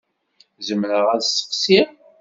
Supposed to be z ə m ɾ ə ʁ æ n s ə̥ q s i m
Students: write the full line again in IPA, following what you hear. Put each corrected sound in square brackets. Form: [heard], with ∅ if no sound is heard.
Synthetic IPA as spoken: z ə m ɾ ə ʁ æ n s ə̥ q s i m